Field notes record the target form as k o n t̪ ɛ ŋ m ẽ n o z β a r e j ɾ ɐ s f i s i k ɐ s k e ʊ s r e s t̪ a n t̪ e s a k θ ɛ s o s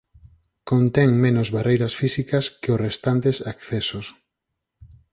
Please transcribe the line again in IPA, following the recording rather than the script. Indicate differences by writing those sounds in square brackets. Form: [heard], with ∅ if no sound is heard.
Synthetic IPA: k o n t̪ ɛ ŋ m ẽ n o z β a r e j ɾ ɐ s f i s i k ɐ s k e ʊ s r e s t̪ a n t̪ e s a k θ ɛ s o s